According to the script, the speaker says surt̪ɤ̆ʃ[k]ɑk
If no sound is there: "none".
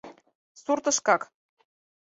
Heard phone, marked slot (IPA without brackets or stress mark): k